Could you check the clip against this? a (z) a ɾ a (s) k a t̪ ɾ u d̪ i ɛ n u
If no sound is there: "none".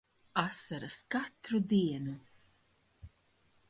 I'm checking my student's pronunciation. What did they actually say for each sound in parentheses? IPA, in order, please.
s, s

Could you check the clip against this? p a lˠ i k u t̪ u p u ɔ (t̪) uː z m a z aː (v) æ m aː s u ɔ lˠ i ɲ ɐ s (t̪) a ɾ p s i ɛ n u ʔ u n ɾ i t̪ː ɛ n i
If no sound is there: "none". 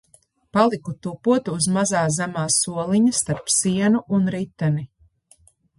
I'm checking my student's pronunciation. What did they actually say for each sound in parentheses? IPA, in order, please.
t̪, z, t̪

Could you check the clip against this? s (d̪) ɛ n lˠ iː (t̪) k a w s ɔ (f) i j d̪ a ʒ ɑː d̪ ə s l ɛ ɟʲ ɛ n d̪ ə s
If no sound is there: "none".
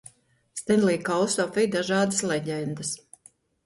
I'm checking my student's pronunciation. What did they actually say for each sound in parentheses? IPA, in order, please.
t̪, none, f

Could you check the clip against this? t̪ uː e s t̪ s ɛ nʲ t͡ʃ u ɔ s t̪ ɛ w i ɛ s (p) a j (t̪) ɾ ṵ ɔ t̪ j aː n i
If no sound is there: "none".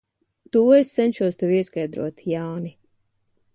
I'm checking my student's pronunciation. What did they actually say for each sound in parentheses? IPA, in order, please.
k, d̪

